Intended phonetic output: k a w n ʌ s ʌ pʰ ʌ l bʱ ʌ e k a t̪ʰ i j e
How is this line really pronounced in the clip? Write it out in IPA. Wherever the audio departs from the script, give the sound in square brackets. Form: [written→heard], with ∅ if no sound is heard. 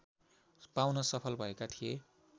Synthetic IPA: [k→p] a w n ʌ s ʌ pʰ ʌ l bʱ ʌ e k a t̪ʰ i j e